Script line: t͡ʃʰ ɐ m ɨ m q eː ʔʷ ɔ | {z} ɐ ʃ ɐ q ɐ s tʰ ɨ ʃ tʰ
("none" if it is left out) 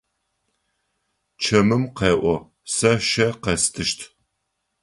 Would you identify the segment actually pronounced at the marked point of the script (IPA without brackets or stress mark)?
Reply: s